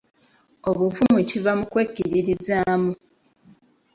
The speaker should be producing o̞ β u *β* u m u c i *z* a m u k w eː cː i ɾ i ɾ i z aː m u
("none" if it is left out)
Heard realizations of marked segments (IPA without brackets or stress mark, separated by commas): v, v